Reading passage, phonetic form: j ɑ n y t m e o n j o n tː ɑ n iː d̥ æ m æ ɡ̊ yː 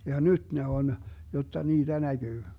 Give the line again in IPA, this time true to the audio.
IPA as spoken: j ɑ n y t n e o n j o tː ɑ n iː d̥ æ n æ ɡ̊ yː